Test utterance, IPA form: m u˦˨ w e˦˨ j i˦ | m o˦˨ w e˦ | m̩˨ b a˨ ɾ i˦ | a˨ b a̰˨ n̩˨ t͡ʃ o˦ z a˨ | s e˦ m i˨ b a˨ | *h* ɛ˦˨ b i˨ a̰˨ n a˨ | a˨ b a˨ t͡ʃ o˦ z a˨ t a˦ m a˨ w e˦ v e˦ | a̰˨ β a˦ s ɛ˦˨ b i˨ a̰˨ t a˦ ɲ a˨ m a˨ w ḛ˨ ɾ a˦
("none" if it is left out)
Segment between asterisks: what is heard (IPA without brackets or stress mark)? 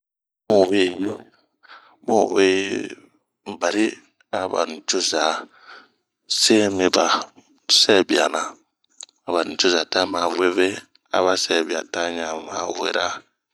s